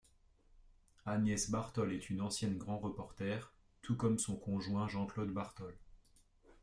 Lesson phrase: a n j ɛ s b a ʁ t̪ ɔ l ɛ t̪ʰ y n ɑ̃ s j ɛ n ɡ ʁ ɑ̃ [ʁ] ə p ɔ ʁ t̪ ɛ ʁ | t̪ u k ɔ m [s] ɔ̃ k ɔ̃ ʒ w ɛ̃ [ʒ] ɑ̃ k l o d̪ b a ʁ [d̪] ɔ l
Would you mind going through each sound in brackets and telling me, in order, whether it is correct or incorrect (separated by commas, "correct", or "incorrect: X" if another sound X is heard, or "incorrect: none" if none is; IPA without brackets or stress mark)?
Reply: correct, correct, correct, incorrect: t̪